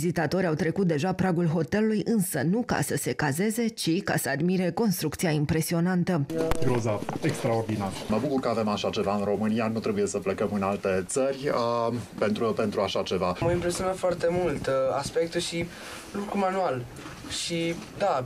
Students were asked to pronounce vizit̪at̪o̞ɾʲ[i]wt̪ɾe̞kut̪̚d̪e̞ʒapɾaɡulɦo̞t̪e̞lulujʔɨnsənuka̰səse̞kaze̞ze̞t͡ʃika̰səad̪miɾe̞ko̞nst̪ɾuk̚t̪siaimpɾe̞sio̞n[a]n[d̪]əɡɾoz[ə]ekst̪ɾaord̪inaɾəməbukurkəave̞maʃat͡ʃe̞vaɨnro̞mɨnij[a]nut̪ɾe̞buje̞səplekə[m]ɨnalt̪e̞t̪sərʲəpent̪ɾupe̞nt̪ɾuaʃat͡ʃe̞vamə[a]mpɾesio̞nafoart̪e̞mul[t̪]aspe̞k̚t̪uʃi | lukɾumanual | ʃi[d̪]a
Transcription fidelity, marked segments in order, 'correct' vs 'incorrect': incorrect: a, correct, incorrect: t̪, incorrect: a, correct, correct, incorrect: i, correct, correct

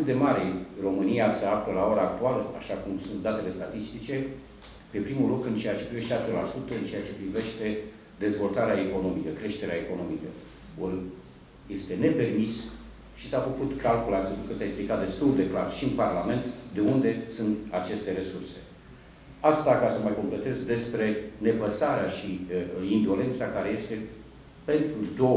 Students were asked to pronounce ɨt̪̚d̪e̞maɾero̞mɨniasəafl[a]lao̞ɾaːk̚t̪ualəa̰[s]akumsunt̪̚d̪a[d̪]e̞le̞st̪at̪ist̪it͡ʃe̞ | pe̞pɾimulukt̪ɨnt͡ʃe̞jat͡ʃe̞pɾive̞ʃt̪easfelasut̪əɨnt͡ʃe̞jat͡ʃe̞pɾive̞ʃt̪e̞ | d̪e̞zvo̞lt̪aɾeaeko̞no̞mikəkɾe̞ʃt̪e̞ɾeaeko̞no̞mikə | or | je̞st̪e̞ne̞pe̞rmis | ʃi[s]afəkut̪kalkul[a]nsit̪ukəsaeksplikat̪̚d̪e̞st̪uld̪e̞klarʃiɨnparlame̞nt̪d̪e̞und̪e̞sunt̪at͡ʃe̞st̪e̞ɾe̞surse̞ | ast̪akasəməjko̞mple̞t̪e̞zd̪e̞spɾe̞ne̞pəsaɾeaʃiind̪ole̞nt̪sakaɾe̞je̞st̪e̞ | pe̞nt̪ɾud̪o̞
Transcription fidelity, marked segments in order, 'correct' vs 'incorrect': incorrect: ə, incorrect: ʃ, incorrect: t̪, correct, correct

